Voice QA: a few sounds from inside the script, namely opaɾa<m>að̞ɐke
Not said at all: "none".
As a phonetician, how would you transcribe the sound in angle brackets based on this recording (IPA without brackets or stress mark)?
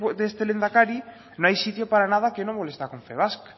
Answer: n